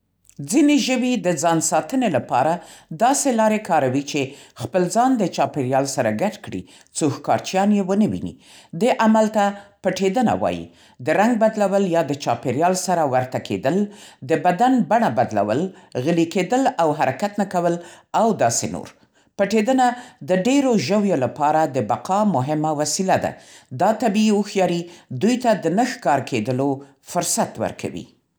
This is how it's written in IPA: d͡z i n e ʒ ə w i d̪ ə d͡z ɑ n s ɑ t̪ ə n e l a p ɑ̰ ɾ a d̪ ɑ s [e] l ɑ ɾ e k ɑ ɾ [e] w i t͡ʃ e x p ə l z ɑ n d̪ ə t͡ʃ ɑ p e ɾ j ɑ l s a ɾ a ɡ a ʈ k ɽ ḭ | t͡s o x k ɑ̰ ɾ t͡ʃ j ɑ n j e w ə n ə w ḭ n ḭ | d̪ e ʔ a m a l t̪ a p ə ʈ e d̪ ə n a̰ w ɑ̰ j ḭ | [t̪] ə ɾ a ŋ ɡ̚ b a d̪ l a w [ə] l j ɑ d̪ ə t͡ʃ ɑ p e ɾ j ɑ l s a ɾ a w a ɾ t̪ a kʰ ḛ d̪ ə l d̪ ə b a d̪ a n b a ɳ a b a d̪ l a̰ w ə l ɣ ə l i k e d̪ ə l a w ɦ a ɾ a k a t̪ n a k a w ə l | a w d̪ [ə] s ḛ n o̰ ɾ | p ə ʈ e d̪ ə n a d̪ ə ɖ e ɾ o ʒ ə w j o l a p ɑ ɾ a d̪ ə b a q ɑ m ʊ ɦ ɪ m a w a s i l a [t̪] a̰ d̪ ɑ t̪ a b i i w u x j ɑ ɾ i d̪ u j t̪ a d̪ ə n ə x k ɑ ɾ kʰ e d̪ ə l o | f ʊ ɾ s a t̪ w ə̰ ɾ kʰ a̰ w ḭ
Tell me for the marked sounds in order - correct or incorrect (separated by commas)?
correct, incorrect, incorrect, correct, incorrect, incorrect